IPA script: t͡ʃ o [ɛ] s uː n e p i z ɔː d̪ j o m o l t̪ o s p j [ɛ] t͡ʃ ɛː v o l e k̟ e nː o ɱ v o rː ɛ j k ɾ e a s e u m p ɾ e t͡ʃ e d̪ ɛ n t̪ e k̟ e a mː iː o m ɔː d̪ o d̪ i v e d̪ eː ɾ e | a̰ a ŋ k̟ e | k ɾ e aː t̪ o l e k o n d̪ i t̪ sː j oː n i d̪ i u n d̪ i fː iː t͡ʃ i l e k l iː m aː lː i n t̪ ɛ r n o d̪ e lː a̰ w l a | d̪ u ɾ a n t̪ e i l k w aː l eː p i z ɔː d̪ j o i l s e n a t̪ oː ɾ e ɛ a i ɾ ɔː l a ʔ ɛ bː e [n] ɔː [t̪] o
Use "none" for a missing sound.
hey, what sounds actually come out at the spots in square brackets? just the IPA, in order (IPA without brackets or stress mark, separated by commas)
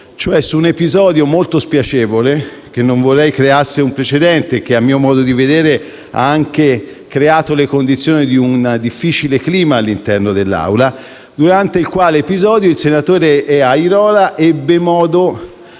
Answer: ɛ, a, m, d̪